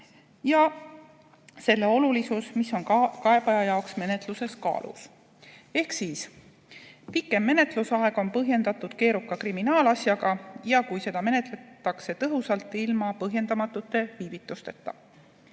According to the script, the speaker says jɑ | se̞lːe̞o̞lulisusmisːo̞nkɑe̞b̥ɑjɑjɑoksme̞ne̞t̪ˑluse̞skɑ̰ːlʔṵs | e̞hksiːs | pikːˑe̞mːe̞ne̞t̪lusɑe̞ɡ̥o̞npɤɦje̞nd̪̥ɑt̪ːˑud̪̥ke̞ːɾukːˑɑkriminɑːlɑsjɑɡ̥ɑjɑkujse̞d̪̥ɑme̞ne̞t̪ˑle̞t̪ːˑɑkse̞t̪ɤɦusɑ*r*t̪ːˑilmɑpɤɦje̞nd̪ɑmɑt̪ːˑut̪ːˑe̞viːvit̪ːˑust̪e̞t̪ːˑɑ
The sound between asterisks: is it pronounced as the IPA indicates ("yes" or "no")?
no